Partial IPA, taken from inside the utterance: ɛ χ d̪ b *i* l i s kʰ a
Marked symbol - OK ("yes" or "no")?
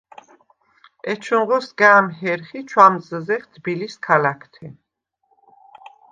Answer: yes